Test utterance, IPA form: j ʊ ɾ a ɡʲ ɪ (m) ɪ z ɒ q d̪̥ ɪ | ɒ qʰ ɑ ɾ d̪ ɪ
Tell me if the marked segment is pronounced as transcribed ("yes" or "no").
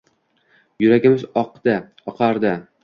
yes